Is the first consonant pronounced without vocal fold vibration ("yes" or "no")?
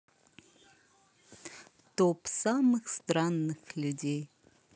yes